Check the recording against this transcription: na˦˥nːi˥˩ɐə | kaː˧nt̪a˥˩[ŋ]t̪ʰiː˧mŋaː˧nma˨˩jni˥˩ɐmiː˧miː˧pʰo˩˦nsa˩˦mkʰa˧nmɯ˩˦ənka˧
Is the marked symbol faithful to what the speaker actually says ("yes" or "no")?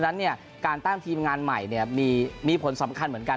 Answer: yes